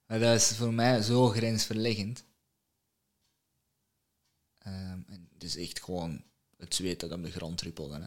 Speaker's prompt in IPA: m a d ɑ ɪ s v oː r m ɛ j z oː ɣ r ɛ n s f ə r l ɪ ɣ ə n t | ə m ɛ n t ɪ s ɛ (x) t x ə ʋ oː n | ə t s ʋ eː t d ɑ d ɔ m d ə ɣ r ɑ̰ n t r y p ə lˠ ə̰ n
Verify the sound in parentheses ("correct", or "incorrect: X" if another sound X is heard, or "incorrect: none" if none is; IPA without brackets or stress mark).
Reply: correct